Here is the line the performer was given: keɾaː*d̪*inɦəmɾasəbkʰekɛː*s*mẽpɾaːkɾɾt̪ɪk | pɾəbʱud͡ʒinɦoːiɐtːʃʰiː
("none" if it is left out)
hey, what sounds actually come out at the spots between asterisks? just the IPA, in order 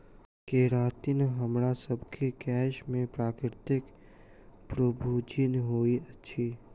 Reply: t̪, ʃ

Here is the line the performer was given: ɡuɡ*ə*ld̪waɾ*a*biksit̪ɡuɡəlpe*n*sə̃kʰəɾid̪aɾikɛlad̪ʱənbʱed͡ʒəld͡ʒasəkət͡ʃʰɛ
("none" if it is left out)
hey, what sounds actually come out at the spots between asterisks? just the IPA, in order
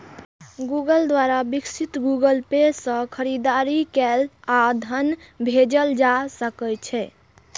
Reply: ə, a, none

